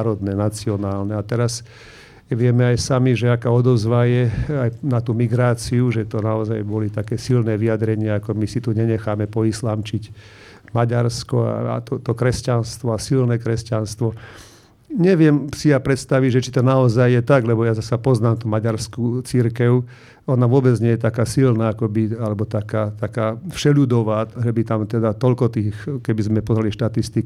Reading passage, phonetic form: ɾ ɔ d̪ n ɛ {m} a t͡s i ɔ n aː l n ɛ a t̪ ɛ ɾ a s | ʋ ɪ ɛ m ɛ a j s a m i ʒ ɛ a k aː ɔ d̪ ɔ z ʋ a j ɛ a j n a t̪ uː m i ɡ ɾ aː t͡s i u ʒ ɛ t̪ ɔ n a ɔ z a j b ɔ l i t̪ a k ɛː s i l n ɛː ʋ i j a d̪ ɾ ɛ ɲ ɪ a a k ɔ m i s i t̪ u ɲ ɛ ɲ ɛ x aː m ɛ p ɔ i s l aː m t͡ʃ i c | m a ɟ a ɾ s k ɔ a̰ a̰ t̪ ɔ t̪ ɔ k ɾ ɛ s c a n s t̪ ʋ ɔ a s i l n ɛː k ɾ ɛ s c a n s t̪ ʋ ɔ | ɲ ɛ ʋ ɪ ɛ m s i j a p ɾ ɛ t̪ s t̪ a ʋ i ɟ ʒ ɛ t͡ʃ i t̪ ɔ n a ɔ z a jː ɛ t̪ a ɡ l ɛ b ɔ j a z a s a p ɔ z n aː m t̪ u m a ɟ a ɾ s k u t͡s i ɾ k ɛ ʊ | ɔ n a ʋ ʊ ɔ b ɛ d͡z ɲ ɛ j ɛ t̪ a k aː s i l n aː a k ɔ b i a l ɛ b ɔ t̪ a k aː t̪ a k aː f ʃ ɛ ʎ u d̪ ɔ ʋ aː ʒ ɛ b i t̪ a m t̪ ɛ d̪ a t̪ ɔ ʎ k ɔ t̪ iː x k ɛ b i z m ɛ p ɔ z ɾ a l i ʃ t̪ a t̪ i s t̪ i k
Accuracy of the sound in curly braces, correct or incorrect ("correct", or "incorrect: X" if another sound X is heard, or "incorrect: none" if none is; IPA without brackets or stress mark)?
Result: incorrect: n